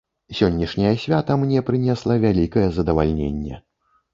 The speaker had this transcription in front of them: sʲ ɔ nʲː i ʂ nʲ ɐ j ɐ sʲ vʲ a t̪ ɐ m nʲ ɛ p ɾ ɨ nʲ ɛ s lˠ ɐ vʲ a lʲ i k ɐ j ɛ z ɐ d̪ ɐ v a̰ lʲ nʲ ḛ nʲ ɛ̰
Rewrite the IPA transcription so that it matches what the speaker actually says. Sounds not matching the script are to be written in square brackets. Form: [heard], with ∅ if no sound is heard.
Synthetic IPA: sʲ ɔ nʲː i ʂ nʲ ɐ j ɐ sʲ vʲ a t̪ ɐ m nʲ ɛ p ɾ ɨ nʲ ɛ s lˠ ɐ vʲ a lʲ i k ɐ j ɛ z ɐ d̪ ɐ v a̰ lʲ nʲ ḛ [nʲː] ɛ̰